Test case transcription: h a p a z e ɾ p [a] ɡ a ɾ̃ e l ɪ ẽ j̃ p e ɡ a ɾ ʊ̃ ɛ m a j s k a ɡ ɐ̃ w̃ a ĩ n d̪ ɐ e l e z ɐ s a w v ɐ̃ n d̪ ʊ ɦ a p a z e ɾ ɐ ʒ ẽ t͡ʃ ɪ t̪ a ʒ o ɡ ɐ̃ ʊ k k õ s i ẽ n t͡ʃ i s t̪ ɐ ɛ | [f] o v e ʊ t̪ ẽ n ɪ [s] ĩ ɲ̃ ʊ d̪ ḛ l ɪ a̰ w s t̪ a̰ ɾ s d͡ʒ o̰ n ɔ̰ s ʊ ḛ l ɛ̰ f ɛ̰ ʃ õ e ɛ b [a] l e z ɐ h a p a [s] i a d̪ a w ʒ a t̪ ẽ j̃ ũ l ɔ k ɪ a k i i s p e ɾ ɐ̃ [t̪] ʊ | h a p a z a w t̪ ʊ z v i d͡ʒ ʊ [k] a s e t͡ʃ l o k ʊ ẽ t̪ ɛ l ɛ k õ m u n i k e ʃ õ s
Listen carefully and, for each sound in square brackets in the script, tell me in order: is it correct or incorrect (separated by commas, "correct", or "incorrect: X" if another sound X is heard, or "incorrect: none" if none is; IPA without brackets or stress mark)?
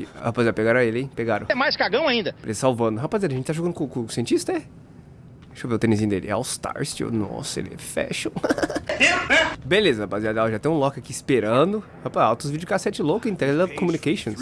incorrect: e, incorrect: ʃ, incorrect: z, incorrect: e, incorrect: z, incorrect: d̪, correct